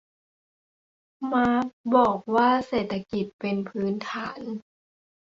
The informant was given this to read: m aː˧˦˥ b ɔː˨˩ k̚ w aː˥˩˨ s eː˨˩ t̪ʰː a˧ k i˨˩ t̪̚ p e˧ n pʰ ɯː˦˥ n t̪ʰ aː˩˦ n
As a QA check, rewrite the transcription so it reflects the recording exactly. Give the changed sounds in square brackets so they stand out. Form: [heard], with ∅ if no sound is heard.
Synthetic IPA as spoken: m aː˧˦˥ b ɔː˨˩ k̚ w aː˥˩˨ s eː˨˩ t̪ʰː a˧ k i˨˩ t̪̚ p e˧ n pʰ ɯː˦˥ n t̪ʰ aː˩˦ n